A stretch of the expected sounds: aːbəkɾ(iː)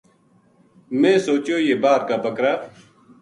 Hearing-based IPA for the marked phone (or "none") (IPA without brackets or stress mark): aː